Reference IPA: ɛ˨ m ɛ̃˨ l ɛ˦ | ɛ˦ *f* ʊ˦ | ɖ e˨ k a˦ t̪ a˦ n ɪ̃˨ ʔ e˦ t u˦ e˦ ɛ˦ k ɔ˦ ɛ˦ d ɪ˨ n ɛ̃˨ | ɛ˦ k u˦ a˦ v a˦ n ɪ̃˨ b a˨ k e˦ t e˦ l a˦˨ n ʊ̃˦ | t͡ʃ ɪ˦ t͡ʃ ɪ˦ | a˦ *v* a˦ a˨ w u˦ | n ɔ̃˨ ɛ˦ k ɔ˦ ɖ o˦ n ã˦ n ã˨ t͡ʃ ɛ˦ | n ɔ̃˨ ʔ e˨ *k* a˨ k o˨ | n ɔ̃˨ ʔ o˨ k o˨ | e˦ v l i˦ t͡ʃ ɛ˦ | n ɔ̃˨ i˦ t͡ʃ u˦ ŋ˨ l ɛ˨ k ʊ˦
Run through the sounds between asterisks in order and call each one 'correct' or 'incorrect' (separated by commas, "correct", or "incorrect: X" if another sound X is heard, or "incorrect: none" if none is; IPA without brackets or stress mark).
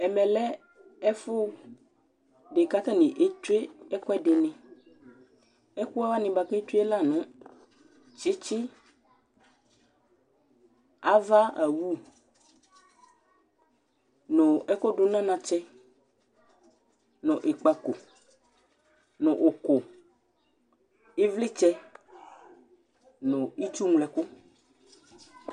correct, correct, incorrect: k͡p